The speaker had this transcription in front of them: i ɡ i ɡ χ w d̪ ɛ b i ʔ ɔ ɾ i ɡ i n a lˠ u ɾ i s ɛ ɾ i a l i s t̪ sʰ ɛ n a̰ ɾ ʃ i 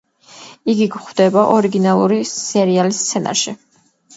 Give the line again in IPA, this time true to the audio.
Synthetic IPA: i ɡ i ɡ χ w d̪ ɛ b a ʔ ɔ ɾ i ɡ i n a lˠ u ɾ i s ɛ ɾ i a l i s t̪ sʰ ɛ n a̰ ɾ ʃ i